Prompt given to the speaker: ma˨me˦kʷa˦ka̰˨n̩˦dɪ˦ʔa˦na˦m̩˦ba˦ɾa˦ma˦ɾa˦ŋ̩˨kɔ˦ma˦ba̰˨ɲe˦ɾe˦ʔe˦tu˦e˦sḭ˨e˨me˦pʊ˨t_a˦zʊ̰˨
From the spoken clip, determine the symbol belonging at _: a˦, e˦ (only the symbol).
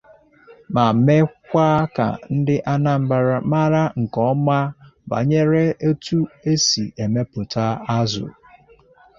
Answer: a˦